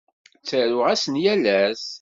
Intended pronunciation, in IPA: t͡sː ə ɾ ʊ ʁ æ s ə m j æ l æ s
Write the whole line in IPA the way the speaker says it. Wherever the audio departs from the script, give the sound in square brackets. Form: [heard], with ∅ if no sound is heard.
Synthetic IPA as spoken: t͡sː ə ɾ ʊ ʁ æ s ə [n] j æ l æ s